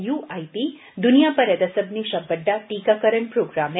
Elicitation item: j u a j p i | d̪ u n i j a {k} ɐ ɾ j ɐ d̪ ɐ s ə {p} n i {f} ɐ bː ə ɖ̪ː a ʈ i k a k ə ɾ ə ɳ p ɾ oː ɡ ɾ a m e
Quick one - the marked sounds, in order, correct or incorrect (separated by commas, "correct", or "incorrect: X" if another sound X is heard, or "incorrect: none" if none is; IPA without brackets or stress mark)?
incorrect: p, incorrect: b, incorrect: ʃ